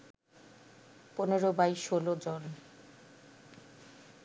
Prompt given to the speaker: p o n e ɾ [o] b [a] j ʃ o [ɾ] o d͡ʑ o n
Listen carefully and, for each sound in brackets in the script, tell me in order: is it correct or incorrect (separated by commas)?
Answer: correct, correct, incorrect